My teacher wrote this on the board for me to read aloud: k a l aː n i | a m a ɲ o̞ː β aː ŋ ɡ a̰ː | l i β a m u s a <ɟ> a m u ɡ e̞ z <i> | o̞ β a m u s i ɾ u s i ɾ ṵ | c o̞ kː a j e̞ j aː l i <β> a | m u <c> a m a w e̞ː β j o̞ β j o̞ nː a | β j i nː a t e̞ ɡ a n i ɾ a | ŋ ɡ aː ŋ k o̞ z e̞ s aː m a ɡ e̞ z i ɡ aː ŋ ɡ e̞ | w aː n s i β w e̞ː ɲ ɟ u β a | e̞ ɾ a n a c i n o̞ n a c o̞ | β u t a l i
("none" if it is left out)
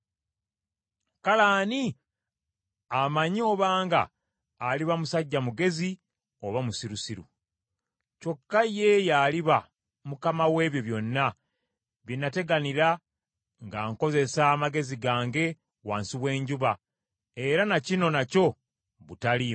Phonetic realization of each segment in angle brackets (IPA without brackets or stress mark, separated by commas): ɟː, i, β, k